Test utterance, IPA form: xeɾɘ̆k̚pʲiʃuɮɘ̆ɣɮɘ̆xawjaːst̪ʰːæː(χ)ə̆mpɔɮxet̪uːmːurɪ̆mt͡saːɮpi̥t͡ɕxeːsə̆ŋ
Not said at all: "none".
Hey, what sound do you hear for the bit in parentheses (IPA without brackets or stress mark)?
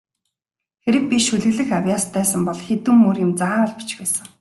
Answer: s